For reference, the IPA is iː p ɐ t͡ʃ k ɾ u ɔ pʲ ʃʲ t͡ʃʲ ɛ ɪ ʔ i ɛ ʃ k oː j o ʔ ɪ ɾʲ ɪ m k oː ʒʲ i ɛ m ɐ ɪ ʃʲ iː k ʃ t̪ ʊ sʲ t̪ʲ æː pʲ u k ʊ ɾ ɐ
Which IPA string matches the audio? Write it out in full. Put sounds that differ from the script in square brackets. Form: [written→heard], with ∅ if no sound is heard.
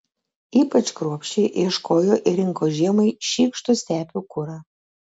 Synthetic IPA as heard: iː p ɐ t͡ʃ k ɾ u ɔ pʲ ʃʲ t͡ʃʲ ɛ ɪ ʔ i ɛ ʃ k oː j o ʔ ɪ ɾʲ ɪ [m→ŋ] k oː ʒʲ i ɛ m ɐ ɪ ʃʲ iː k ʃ t̪ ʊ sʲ t̪ʲ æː pʲ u k ʊ ɾ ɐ